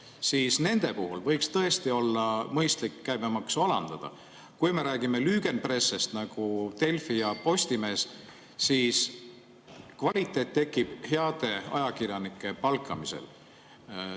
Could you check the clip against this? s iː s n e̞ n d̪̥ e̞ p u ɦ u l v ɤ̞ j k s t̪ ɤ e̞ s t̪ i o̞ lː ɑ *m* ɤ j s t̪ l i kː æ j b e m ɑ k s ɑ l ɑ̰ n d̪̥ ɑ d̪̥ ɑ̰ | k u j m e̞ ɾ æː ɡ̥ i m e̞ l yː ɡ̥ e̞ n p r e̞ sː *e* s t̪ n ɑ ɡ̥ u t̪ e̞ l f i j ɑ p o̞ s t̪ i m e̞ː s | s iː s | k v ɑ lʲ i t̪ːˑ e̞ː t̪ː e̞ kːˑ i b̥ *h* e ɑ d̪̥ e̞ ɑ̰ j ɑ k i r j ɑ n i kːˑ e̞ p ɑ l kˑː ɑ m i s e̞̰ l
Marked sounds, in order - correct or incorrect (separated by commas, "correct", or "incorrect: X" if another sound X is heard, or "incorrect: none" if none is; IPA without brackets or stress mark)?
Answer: correct, correct, correct